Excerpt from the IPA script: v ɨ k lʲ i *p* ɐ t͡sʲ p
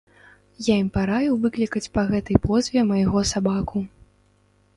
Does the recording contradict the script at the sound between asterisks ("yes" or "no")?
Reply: yes